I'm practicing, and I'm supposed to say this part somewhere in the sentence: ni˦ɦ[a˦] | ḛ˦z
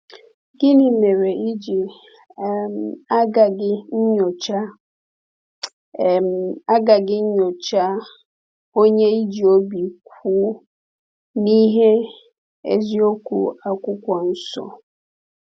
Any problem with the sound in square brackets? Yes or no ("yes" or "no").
yes